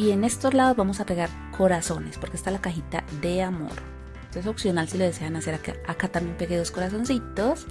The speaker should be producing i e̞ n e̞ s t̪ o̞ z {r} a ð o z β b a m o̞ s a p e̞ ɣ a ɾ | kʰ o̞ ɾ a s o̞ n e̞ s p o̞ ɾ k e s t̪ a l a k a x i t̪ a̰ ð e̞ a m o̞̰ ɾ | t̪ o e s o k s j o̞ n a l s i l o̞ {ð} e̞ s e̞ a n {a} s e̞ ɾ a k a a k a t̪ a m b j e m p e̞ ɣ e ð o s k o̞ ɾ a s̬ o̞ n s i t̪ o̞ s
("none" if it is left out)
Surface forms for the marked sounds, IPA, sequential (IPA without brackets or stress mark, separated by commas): l, ð, a